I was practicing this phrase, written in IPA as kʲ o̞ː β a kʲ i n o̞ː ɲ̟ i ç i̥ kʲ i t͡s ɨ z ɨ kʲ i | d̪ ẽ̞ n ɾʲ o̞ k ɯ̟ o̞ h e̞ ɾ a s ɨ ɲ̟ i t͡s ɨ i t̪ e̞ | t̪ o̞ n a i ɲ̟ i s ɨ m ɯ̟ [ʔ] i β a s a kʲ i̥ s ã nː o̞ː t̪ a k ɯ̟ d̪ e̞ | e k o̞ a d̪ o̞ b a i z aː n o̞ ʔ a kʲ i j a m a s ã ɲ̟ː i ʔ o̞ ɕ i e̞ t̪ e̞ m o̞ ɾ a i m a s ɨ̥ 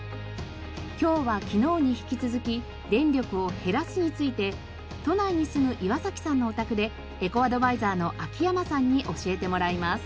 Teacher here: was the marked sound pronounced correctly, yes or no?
yes